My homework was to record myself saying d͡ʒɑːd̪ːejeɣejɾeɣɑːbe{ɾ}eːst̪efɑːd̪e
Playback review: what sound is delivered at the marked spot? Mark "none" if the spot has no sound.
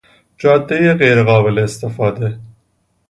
l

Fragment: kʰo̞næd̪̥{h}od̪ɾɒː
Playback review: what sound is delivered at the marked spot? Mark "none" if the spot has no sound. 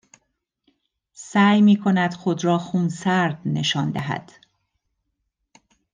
x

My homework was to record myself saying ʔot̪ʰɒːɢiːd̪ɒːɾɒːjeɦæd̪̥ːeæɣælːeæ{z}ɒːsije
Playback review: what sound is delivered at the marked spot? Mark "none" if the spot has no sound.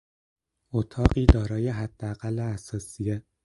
s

